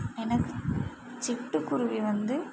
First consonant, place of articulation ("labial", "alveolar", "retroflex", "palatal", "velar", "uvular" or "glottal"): alveolar